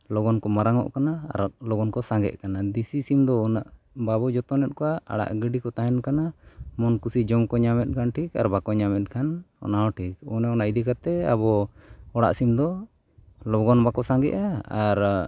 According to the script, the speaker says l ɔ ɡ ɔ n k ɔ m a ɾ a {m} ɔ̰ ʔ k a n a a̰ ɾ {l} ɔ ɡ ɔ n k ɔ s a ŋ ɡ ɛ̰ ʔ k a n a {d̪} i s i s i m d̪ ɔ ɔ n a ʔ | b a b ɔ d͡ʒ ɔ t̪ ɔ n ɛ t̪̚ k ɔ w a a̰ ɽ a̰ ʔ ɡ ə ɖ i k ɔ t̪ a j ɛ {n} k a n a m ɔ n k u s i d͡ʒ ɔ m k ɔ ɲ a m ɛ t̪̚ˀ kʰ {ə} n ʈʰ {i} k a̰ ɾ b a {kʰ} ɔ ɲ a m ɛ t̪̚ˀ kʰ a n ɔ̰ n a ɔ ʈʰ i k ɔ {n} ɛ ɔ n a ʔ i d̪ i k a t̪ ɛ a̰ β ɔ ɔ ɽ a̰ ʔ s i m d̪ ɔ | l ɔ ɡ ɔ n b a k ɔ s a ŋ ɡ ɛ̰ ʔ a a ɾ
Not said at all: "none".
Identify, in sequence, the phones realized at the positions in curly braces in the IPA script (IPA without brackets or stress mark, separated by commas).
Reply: ŋ, l, d̪, n, a, i, k, n